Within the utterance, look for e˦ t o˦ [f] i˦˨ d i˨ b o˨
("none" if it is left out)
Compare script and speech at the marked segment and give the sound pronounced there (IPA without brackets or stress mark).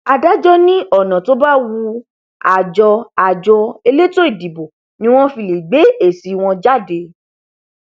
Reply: none